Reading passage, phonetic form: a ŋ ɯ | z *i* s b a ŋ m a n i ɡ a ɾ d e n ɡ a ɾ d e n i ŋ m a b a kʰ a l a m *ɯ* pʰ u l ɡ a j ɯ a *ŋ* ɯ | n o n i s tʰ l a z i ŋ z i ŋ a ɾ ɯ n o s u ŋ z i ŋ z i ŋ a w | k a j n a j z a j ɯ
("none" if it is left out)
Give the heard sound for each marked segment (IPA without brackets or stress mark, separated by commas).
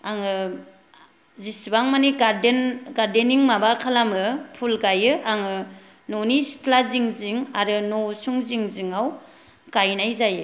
i, ɯ, ŋ